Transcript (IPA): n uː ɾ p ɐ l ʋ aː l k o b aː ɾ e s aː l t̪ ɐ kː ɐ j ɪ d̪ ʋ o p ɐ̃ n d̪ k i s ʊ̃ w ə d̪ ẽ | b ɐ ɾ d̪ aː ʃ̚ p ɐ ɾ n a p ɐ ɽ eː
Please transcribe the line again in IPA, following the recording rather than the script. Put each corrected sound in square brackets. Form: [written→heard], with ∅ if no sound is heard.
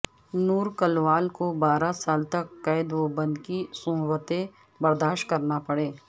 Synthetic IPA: n uː ɾ [p→k] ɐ l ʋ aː l k o b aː ɾ [e→a] s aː l t̪ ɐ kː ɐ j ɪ d̪ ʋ o [p→b] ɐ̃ n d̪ k i s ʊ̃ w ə [d̪→t̪] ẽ | b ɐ ɾ d̪ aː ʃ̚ [p→k] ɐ ɾ n a p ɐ ɽ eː